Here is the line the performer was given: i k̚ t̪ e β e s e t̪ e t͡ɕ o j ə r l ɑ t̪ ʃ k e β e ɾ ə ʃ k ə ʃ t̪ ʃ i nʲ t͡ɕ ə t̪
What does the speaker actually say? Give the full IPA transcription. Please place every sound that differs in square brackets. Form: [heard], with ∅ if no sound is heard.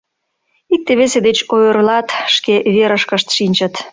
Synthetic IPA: i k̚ t̪ e β e s e [d̪] e t͡ɕ o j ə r l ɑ t̪ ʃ k e β e ɾ ə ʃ k ə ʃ t̪ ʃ i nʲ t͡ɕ ə t̪